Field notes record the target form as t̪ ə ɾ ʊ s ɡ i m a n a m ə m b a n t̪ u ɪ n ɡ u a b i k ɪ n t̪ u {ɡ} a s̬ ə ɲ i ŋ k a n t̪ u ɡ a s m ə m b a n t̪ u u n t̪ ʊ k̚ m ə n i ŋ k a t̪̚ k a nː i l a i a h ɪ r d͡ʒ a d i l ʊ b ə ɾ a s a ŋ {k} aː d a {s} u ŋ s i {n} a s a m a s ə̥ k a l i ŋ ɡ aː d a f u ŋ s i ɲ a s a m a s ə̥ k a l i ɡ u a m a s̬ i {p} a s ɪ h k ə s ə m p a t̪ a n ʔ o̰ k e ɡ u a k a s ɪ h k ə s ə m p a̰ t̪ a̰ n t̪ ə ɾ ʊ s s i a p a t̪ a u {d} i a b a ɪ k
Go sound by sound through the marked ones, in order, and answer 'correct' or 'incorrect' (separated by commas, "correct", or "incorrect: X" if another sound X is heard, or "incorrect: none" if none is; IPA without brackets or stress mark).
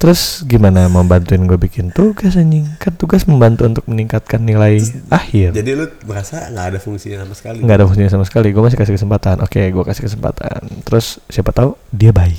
correct, incorrect: ɡ, incorrect: f, incorrect: ɲ, incorrect: k, correct